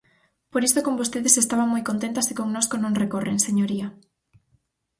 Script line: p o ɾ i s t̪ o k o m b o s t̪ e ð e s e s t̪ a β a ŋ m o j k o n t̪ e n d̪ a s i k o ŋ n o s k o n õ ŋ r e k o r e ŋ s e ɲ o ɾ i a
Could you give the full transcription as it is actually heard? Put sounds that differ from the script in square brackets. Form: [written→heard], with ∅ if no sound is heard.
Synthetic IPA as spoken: p o ɾ i s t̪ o k o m b o s t̪ e ð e s e s t̪ a β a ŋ m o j k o n t̪ e n [d̪→t̪] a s i k o ŋ n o s k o n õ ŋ r e k o r e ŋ s e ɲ o ɾ i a

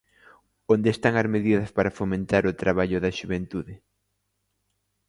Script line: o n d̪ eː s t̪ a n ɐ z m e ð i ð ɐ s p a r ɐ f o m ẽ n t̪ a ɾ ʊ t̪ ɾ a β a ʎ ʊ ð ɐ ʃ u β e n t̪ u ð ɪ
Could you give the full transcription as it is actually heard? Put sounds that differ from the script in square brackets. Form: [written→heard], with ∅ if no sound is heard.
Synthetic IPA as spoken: o n d̪ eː s t̪ a [n→ŋ] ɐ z m e ð i ð ɐ s p a [r→ɾ] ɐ f o m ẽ n t̪ a ɾ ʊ t̪ ɾ a β a ʎ ʊ ð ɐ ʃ u β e n t̪ u ð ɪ

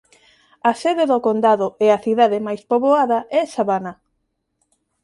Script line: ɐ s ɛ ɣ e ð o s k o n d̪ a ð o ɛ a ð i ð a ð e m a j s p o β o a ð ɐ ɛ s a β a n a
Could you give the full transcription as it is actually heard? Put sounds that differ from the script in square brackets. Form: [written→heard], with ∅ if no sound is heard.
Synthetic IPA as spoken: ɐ s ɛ [ɣ→ð] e ð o [s→∅] k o n d̪ a ð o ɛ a [ð→θ] i ð a ð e m a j s p o β o a ð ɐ ɛ s a β a n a

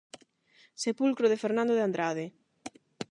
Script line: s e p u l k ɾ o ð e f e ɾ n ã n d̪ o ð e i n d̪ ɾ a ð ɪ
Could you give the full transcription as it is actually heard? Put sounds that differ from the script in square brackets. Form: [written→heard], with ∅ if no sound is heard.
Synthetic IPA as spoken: s e p u l k ɾ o ð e f e ɾ n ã n d̪ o ð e [i→a] n d̪ ɾ a ð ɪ

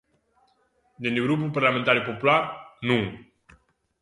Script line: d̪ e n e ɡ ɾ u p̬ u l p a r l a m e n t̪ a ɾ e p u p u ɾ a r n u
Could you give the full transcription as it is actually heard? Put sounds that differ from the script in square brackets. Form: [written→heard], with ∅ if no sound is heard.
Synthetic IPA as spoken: d̪ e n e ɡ ɾ u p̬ u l p a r l a m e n t̪ a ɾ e p [u→o] p u [ɾ→l] a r n u

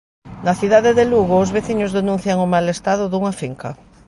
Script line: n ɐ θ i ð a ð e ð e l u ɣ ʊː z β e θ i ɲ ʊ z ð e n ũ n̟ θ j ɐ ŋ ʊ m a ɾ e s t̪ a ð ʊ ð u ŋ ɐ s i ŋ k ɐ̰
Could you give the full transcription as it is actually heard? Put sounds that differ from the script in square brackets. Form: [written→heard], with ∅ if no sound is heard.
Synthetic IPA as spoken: n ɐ θ i ð a ð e ð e l u ɣ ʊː z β e θ i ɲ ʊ z ð e n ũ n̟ θ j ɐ ŋ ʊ m a [ɾ→l] e s t̪ a ð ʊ ð u ŋ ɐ [s→f] i ŋ k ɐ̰

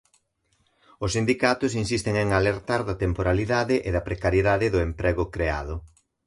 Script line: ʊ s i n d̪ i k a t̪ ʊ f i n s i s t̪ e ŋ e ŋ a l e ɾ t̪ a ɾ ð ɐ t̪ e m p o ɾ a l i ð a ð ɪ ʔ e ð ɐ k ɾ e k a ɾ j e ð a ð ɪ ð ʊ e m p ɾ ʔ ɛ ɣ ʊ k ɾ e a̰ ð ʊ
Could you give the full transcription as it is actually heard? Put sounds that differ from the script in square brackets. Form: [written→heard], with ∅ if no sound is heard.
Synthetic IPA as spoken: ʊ s i n d̪ i k a t̪ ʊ [f→s] i n s i s t̪ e ŋ e ŋ a l e ɾ t̪ a ɾ ð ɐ t̪ e m p o ɾ a l i ð a ð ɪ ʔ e ð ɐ [k→p] ɾ e k a ɾ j e ð a ð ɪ ð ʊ e m p ɾ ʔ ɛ ɣ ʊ k ɾ e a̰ ð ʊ

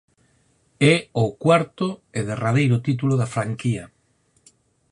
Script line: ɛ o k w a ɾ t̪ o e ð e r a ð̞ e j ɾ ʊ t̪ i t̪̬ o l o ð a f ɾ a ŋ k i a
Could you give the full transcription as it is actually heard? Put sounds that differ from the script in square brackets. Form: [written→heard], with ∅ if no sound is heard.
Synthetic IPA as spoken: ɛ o k w a ɾ t̪ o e ð e r a ð̞ e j ɾ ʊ t̪ i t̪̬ [o→u] l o ð a f ɾ a ŋ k i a

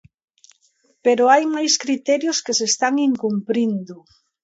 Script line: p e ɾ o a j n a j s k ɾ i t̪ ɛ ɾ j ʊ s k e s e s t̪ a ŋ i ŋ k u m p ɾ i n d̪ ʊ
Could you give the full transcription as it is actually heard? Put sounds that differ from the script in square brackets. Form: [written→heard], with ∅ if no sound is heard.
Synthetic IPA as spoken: p e ɾ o a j [n→m] a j s k ɾ i t̪ ɛ ɾ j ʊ s k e s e s t̪ a ŋ i ŋ k u m p ɾ i n d̪ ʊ

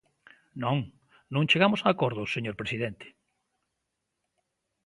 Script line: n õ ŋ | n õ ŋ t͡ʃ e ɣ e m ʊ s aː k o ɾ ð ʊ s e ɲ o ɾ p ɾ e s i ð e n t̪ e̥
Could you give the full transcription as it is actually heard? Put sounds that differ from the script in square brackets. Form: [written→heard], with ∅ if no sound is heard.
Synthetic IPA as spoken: n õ ŋ | n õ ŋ t͡ʃ e ɣ [e→a] m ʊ s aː k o ɾ ð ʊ s e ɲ o ɾ p ɾ e s i ð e n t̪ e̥

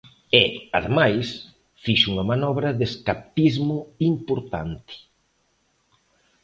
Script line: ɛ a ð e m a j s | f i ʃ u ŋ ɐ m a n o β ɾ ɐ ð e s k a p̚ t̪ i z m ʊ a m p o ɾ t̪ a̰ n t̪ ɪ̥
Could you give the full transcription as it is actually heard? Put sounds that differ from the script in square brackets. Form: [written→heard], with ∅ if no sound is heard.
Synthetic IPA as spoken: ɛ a ð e m a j s | f i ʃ u ŋ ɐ m a n [o→ɔ] β ɾ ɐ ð e s k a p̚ t̪ i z m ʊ [a→i] m p o ɾ t̪ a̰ n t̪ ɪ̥

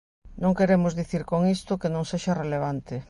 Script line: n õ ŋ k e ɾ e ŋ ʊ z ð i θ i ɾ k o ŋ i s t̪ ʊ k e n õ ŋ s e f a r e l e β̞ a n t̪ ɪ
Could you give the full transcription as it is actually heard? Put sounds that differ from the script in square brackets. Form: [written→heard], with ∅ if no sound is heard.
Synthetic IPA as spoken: n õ ŋ k e ɾ e [ŋ→m] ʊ z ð i θ i ɾ k o ŋ i s t̪ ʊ k e n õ ŋ s e [f→ʃ] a r e l e β̞ a n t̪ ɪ

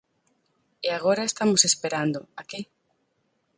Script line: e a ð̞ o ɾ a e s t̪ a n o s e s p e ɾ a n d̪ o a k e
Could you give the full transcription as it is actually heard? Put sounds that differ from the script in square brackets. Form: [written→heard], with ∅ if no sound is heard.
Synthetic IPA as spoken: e a [ð̞→ɣ̞] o ɾ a e s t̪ a [n→m] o s e s p e ɾ a n d̪ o a k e

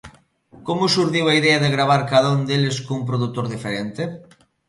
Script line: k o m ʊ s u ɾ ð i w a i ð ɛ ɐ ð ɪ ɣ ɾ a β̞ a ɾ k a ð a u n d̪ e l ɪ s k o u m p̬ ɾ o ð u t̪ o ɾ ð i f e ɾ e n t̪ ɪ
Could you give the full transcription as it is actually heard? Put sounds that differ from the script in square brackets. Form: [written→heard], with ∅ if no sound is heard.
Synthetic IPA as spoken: k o m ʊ s u ɾ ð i w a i ð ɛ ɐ ð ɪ ɣ ɾ a β̞ a ɾ k a ð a u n d̪ e l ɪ s k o u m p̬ ɾ o ð u t̪ o ɾ ð i f e ɾ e n t̪ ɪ

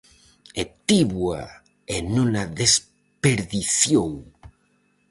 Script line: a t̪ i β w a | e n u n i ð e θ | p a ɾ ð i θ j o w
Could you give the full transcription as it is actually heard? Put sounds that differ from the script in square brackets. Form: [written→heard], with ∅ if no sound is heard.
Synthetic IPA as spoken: [a→e] t̪ i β w a | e n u n [i→a] ð e [θ→s] | p [a→e] ɾ ð i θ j o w

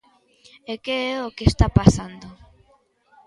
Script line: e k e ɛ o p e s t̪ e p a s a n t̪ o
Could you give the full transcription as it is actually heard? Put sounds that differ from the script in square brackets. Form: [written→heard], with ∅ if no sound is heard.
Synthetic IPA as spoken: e k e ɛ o [p→k] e s t̪ [e→a] p a s a n [t̪→d̪] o

